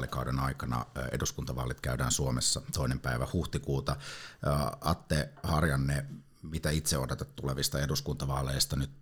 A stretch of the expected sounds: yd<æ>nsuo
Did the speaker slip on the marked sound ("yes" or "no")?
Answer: yes